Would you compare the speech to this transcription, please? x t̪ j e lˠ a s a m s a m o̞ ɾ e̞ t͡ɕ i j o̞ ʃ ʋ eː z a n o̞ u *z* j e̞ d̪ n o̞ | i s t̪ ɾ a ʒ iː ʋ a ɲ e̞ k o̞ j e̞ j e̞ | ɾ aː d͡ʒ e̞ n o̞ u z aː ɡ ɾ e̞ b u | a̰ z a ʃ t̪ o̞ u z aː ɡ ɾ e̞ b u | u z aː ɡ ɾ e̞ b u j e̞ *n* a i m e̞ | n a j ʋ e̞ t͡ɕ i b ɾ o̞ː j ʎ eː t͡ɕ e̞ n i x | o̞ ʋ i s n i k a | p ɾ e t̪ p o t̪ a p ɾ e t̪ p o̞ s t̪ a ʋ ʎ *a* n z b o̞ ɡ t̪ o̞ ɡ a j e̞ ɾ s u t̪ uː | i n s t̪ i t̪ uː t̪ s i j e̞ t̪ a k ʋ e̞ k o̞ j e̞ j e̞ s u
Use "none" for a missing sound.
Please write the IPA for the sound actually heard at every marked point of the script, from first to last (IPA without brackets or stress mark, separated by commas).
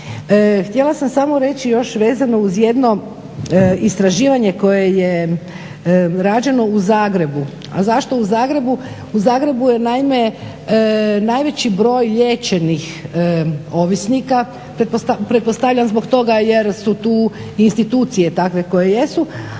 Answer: z, n, a